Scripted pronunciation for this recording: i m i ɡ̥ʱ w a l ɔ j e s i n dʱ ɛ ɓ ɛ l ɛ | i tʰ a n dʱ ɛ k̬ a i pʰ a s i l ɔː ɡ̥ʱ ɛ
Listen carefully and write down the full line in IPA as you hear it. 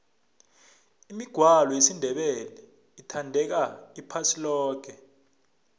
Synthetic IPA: i m i ɡ̥ʱ w a l ɔ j e s i n dʱ ɛ ɓ ɛ l ɛ | i tʰ a n dʱ ɛ k̬ a i pʰ a s i l ɔː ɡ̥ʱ ɛ